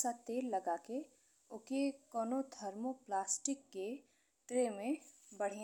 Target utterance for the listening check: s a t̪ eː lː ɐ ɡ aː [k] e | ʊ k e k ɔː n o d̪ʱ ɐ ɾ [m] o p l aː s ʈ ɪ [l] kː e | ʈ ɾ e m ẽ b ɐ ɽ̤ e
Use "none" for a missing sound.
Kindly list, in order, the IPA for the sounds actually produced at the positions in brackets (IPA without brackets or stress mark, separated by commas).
k, m, none